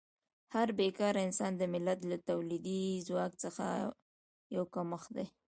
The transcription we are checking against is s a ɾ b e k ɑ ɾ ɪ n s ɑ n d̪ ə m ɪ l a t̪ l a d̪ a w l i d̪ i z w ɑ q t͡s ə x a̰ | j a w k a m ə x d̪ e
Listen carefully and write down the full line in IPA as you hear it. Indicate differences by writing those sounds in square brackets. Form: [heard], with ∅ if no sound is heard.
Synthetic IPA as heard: [h] a ɾ b e k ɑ ɾ ɪ n s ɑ n d̪ ə m ɪ l a t̪ l a [t̪] a w l i d̪ i z w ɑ [k] t͡s ə x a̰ | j a w k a m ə x d̪ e